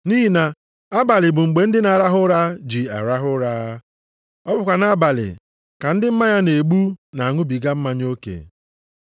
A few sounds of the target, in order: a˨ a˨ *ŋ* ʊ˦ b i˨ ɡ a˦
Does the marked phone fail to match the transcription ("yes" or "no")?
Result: no